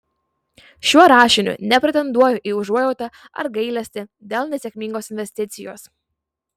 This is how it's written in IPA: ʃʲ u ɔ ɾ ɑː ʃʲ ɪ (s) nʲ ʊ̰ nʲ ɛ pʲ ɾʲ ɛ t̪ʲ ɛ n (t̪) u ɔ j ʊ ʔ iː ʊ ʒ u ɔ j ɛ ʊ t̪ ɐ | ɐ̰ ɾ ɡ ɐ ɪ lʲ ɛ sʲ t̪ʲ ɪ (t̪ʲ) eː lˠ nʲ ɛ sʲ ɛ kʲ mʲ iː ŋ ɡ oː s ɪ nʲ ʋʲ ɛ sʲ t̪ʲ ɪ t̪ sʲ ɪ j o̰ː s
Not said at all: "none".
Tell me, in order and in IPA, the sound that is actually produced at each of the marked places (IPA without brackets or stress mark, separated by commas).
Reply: none, d̪, d̪ʲ